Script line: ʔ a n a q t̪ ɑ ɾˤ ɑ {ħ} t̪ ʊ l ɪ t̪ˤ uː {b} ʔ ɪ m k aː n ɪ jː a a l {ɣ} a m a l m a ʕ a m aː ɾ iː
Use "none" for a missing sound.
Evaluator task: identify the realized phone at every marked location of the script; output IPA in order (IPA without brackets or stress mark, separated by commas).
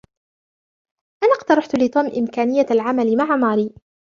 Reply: ħ, m, ʕ